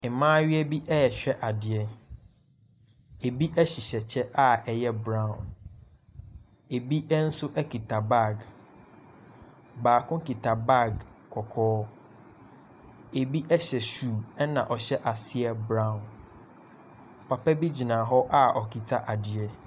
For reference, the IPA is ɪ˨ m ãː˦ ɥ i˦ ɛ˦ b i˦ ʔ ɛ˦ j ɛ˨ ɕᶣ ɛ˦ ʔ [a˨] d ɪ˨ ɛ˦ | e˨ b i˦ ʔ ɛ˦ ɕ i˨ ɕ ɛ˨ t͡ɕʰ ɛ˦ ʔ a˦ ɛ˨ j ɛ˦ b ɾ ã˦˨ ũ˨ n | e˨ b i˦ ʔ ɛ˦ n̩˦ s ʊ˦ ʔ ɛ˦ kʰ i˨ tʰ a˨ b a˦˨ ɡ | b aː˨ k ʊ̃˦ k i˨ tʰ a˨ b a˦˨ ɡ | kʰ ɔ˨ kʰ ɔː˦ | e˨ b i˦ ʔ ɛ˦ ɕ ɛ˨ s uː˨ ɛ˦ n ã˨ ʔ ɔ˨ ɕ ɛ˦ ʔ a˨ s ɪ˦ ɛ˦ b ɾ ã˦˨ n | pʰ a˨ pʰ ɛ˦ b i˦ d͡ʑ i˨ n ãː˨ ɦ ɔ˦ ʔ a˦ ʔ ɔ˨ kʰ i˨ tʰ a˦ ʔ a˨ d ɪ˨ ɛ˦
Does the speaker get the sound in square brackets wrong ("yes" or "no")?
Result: no